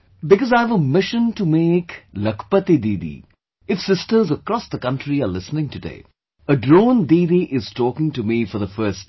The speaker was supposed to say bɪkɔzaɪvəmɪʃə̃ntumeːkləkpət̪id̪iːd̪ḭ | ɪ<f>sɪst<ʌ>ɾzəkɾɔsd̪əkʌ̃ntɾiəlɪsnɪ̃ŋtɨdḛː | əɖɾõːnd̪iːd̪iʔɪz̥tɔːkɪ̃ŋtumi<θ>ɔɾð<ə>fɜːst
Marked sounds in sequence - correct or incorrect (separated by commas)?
correct, incorrect, incorrect, correct